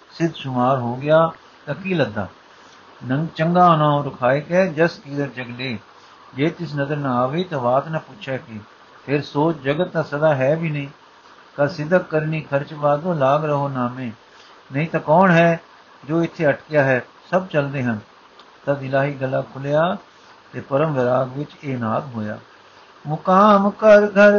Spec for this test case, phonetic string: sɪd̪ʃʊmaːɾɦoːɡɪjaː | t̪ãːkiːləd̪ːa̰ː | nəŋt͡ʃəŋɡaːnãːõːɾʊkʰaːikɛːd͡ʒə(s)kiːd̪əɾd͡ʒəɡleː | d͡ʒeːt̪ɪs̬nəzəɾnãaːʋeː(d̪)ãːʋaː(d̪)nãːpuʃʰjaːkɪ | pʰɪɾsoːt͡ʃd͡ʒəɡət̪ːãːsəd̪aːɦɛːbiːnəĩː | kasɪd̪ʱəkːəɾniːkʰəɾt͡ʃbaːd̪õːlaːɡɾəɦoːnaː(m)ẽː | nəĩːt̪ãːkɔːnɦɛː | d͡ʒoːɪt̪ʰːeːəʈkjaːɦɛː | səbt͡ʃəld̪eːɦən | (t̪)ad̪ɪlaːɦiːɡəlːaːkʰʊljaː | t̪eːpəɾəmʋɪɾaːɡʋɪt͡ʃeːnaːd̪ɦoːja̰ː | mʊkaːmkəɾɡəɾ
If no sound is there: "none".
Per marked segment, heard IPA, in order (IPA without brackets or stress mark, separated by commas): s, t̪, t̪, m, t̪